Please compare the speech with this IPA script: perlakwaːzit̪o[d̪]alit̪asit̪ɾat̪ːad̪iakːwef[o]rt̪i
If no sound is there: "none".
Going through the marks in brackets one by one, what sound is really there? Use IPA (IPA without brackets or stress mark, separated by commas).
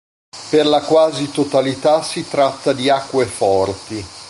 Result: t̪, ɔ